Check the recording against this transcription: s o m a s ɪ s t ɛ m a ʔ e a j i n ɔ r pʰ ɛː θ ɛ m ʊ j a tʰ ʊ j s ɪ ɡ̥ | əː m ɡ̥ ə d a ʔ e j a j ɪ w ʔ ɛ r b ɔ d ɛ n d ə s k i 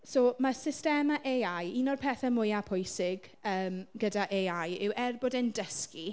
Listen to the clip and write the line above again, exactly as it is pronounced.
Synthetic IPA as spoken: s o m a s ɪ s t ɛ m a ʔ e a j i n ɔ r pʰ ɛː θ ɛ m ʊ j a pʰ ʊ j s ɪ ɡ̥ | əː m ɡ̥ ə d a ʔ e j a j ɪ w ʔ ɛ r b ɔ d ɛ n d ə s k i